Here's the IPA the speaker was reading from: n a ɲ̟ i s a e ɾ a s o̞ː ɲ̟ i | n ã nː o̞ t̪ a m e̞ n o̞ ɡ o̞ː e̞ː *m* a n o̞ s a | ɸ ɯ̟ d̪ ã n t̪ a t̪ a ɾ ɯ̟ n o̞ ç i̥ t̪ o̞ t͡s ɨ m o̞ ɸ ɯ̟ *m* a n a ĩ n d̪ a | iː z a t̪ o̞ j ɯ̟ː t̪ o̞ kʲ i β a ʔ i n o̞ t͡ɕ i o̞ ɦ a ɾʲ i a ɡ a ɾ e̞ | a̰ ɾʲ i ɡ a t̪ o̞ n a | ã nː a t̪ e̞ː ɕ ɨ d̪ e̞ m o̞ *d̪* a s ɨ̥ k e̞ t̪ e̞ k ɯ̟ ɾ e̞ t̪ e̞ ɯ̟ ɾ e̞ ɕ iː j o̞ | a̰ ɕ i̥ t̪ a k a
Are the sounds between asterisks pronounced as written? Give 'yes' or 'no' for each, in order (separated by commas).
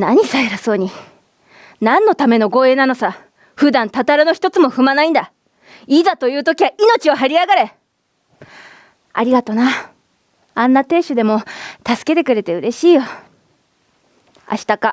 no, yes, no